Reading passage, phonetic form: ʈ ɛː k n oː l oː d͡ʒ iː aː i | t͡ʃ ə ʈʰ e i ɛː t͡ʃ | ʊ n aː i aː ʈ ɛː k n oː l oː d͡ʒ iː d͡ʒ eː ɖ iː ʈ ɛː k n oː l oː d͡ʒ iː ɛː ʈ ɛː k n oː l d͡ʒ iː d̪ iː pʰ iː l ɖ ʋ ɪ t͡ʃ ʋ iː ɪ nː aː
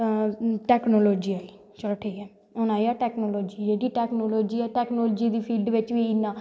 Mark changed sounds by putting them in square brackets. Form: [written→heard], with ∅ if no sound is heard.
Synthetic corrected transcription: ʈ ɛː k n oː l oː d͡ʒ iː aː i | t͡ʃ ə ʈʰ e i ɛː [t͡ʃ→∅] | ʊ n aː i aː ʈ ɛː k n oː l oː d͡ʒ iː d͡ʒ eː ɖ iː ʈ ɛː k n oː l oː d͡ʒ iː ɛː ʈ ɛː k n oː l d͡ʒ iː d̪ iː pʰ iː l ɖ ʋ ɪ t͡ʃ ʋ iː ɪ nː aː